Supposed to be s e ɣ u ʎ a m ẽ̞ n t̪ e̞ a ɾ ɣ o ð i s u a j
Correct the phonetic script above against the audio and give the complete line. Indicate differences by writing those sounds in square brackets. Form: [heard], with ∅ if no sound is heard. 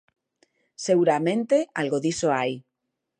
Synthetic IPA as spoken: s e ɣ u [ɾ] a m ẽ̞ n t̪ e̞ a [l] ɣ o ð i s [o] a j

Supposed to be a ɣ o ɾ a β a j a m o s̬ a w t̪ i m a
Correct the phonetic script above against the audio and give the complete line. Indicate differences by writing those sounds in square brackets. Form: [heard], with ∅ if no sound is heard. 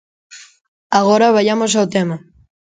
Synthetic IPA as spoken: a ɣ o ɾ a β a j a m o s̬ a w t̪ [e] m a

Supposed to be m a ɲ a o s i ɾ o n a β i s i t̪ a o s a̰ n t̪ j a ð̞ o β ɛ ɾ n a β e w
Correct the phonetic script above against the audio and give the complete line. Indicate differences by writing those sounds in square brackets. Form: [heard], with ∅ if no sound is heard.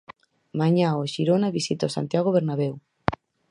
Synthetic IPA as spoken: m a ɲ a o [ʃ] i ɾ o n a β i s i t̪ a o s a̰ n t̪ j a [ɣ̞] o β [e] ɾ n a β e w

